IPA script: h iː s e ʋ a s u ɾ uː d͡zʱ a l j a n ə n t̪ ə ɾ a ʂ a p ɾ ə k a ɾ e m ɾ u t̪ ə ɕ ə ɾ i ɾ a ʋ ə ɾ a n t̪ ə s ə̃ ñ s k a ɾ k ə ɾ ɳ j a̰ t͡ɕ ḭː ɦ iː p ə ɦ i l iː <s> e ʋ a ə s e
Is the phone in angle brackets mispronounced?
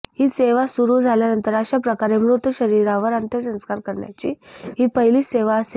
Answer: no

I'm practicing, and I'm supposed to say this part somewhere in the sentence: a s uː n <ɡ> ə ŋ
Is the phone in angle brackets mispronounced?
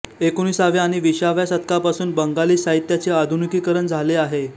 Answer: yes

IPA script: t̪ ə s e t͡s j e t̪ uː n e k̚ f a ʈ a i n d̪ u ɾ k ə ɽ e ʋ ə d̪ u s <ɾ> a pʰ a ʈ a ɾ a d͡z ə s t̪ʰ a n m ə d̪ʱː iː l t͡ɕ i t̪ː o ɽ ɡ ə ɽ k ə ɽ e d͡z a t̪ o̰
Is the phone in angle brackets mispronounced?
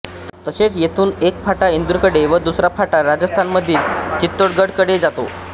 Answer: no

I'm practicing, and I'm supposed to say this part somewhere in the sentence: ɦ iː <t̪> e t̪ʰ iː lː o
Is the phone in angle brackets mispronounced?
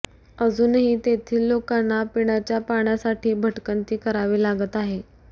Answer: no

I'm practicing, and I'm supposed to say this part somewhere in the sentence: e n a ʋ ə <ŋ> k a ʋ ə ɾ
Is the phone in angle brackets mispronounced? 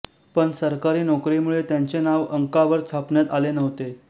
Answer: no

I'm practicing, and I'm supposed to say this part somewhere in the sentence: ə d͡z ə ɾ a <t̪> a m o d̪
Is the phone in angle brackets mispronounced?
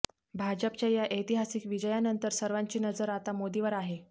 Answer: no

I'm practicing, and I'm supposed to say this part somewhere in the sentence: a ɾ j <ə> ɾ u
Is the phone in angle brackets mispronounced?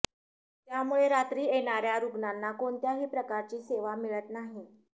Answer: yes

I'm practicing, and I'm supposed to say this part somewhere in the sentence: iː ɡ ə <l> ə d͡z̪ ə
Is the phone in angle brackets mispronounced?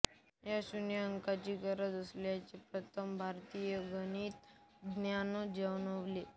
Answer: yes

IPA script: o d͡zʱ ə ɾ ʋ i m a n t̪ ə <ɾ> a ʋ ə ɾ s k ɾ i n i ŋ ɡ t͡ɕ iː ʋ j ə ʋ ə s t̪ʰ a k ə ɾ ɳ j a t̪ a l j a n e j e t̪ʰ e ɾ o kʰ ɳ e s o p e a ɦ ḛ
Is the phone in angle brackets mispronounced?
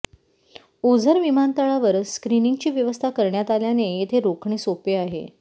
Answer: yes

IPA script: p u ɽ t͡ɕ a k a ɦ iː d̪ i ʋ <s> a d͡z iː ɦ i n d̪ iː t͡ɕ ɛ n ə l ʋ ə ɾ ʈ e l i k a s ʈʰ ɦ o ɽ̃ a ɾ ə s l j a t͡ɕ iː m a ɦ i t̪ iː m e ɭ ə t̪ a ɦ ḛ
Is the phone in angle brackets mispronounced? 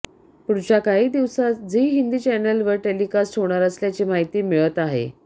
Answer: no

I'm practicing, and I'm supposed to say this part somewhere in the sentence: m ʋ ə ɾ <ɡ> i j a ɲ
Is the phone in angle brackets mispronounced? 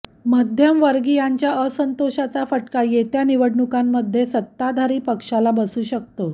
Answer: no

